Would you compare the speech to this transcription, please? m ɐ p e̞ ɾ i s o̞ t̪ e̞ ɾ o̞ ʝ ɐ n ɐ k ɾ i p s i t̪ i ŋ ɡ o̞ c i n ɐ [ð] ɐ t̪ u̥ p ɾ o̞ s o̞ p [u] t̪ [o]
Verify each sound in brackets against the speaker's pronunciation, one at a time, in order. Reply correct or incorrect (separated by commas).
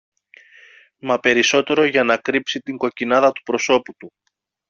correct, correct, incorrect